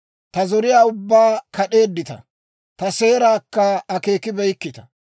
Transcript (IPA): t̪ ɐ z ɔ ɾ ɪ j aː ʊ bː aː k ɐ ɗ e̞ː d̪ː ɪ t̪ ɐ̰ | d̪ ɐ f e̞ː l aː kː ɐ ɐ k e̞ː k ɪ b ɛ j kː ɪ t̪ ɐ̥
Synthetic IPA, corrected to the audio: t̪ ɐ z ɔ ɾ ɪ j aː ʊ bː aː k ɐ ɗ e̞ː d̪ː ɪ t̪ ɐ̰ | t̪ ɐ s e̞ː ɾ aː kː ɐ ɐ k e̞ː k ɪ b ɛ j kː ɪ t̪ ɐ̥